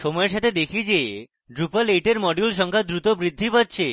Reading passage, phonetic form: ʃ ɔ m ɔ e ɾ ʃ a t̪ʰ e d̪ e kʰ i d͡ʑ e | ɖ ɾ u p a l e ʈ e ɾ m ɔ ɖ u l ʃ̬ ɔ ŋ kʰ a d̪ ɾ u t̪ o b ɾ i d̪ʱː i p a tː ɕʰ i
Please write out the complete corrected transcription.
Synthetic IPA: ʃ ɔ m ɔ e ɾ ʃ a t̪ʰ e d̪ e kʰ i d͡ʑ e | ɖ ɾ u p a l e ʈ e ɾ m ɔ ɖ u l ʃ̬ ɔ ŋ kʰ a d̪ ɾ u t̪ o b ɾ i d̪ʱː i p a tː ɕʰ e